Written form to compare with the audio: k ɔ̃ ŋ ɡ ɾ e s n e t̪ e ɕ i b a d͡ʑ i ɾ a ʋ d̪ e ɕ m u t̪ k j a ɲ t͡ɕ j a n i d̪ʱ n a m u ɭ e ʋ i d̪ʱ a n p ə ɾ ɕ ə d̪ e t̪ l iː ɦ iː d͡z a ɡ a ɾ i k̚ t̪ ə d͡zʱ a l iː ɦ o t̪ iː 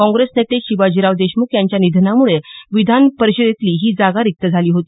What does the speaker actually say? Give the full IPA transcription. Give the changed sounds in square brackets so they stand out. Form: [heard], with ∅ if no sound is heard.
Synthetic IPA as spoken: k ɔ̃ ŋ ɡ ɾ e s n e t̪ e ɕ i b a d͡ʑ i ɾ a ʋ d̪ e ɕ m u [∅] k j a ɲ t͡ɕ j a n i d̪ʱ n a m u ɭ e ʋ i d̪ʱ a n p ə ɾ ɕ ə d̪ e t̪ l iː ɦ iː d͡z a ɡ a ɾ i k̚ t̪ ə d͡zʱ a l iː ɦ o t̪ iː